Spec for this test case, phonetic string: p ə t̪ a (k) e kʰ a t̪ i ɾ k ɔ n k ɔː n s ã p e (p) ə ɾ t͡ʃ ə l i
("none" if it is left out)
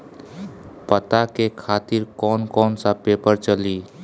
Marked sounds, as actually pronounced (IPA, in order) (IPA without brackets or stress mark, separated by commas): k, p